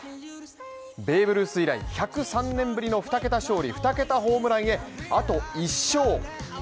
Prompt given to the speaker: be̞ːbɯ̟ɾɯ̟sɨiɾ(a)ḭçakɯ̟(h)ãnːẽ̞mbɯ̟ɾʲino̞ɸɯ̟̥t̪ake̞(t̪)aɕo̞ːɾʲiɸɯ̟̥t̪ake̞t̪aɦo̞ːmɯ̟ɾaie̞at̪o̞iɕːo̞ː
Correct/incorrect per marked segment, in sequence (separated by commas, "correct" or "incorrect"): correct, incorrect, correct